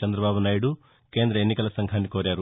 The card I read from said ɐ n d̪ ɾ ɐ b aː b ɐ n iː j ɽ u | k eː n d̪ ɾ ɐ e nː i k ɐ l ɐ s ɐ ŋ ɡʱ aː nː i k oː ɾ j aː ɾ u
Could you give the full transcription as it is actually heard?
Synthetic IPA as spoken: ɐ n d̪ ɾ ɐ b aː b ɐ n aː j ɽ u | k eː n d̪ ɾ ɐ e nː i k ɐ l ɐ s ɐ ŋ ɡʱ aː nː i k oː ɾ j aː ɾ u